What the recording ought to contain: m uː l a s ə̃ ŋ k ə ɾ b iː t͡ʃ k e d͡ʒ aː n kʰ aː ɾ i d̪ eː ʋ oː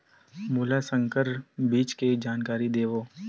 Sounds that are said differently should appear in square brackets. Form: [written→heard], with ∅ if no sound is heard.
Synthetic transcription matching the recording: m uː l a s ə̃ ŋ k ə ɾ b iː t͡ʃ k e d͡ʒ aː n [kʰ→k] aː ɾ i d̪ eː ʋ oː